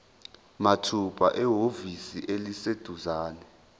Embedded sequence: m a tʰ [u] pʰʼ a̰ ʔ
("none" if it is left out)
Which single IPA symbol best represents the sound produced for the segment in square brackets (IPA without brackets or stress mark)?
u